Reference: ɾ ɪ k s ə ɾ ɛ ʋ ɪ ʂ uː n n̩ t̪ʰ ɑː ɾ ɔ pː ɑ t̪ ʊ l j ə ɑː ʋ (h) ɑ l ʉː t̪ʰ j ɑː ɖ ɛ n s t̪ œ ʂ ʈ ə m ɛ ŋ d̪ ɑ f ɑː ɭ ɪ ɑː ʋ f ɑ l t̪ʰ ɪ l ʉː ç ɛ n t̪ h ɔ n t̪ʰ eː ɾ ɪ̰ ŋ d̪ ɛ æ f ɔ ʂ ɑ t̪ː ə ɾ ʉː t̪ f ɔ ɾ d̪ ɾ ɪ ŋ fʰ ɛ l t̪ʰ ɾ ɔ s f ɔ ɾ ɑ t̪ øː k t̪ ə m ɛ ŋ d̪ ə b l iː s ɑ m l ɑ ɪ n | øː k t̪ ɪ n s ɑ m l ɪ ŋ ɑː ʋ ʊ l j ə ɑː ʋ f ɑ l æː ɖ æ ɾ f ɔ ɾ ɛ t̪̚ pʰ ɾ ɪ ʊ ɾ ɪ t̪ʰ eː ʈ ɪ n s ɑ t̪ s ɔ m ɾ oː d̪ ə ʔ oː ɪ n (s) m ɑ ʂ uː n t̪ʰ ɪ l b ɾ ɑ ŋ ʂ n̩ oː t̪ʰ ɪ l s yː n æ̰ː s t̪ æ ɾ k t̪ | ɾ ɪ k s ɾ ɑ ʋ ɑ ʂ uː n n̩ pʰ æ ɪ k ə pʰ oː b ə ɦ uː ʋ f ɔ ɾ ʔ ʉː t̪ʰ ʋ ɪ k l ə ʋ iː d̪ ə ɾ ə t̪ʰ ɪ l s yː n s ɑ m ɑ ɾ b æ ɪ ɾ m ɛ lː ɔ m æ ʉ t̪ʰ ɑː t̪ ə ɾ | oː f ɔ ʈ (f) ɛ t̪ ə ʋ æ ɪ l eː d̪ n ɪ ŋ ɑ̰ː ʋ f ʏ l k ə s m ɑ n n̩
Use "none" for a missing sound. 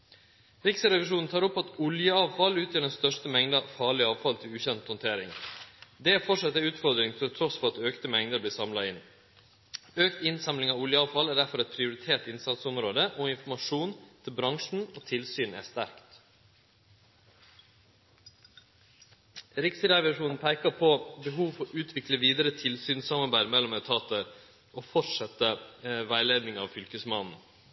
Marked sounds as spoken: f, f, ʂ

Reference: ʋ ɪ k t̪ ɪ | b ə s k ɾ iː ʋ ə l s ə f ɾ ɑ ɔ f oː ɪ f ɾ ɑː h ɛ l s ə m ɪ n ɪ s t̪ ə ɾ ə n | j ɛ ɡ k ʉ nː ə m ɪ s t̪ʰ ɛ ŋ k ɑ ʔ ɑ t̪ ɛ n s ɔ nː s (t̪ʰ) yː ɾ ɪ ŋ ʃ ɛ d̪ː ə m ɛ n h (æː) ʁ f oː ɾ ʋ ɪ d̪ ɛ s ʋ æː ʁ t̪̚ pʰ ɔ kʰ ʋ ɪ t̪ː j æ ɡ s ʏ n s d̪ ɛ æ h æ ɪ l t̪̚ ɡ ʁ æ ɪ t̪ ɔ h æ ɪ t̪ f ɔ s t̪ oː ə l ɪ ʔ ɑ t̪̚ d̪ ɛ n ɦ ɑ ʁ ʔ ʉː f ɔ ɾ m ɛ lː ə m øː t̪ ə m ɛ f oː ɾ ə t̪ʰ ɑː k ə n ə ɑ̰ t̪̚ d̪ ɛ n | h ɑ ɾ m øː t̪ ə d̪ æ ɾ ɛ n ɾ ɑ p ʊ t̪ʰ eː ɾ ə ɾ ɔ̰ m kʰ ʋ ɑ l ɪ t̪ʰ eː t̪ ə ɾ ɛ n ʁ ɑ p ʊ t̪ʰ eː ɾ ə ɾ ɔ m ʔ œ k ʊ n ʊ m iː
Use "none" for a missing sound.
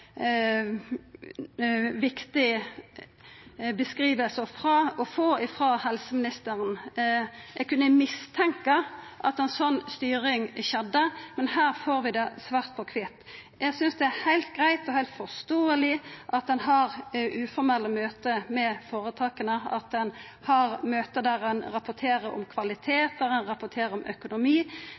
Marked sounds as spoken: t̪, æː

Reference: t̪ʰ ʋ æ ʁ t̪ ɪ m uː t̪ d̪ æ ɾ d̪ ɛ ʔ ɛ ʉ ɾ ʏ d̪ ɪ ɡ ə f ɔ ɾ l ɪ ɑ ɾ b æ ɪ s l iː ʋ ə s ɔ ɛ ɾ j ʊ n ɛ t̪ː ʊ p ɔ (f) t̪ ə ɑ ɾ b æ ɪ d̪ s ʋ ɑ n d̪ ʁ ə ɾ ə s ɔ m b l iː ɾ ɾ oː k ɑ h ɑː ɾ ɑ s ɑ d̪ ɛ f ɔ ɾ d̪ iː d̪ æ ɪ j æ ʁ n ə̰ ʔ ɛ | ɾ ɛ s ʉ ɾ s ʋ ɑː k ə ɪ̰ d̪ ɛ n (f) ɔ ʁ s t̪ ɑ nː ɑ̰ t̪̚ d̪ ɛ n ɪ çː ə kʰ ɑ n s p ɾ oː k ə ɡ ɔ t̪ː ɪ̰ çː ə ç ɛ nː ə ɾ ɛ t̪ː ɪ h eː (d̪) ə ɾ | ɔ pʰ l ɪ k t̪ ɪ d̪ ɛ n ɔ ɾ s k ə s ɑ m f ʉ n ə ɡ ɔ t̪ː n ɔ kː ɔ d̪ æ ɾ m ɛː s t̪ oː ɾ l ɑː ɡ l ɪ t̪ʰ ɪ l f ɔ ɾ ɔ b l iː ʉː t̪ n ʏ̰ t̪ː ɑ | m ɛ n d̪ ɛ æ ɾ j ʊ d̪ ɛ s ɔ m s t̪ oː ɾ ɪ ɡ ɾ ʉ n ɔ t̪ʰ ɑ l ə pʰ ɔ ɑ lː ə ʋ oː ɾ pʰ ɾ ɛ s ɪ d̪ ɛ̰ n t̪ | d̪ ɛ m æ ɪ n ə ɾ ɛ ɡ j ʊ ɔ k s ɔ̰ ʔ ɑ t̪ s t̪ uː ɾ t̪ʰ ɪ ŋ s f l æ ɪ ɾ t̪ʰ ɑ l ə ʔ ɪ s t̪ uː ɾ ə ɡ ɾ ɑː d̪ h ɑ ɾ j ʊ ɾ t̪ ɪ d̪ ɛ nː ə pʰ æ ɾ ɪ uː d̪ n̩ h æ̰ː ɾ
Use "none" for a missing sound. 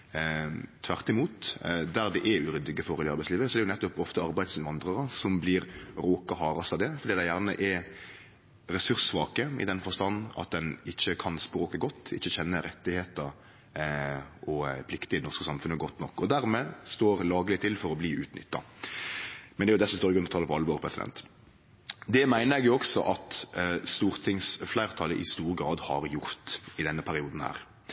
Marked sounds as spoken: f, f, t̪

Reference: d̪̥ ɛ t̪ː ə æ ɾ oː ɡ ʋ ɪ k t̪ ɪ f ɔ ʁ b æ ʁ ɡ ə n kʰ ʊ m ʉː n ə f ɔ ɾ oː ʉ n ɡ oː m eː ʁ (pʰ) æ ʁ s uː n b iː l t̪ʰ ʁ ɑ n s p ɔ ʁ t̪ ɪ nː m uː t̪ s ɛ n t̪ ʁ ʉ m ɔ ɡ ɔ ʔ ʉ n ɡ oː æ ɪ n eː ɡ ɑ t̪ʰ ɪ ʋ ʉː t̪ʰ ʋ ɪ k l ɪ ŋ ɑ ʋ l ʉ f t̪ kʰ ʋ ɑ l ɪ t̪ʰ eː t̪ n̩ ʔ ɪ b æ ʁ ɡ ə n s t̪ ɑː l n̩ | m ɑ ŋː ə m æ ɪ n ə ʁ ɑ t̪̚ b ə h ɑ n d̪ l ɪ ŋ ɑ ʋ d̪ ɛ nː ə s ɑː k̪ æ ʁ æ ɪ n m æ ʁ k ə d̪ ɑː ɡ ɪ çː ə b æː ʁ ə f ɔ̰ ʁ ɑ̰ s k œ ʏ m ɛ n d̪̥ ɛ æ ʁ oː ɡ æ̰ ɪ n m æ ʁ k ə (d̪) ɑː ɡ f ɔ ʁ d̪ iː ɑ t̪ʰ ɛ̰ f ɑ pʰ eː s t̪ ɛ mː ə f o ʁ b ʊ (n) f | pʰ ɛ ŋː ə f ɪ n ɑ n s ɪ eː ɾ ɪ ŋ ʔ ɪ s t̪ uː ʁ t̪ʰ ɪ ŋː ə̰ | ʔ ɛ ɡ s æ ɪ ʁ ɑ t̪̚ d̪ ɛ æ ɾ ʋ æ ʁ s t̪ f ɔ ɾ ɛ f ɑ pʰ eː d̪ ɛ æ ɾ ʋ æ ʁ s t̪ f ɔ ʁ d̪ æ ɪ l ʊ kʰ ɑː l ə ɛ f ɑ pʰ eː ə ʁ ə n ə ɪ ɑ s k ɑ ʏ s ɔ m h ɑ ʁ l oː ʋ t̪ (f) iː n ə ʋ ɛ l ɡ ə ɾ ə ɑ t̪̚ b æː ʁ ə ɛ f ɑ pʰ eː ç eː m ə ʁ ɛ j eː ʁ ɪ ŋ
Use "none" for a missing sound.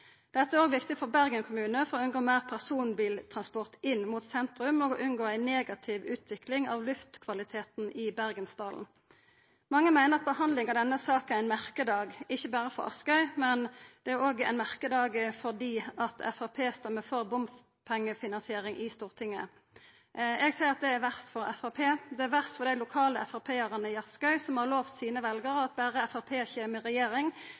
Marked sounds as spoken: pʰ, d̪, m, s

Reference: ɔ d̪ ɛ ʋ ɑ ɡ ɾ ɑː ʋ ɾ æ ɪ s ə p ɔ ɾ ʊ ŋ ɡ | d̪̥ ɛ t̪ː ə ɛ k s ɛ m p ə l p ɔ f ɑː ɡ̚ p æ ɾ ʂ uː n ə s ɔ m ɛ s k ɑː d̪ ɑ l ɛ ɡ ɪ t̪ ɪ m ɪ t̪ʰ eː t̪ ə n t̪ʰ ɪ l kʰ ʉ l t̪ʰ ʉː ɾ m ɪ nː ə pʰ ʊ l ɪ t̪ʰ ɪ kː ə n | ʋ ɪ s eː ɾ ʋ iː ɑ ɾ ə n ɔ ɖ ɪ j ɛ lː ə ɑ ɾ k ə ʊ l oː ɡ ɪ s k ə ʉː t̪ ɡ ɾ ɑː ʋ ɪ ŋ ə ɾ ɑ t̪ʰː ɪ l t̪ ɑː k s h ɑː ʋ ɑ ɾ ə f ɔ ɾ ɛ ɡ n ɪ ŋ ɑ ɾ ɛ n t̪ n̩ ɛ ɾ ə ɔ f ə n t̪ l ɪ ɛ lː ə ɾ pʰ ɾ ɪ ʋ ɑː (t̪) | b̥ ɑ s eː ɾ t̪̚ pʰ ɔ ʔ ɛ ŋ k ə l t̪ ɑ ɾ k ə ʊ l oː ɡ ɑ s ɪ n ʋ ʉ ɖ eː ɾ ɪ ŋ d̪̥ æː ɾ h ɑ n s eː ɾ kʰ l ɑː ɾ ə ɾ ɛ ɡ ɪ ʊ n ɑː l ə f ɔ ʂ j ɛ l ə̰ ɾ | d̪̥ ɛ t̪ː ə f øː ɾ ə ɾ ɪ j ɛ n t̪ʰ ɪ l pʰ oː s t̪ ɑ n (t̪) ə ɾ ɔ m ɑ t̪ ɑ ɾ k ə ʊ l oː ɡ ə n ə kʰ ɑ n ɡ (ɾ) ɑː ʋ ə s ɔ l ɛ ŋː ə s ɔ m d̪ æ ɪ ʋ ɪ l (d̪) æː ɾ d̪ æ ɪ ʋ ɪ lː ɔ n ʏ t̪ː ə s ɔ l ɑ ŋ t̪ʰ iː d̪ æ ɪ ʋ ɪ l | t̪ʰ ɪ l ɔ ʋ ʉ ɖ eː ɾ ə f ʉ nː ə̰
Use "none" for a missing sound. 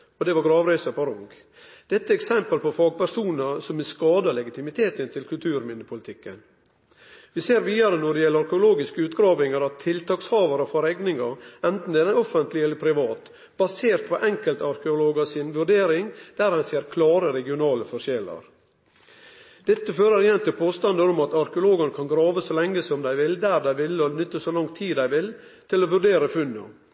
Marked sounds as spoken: t̪, d̪, ɾ, d̪

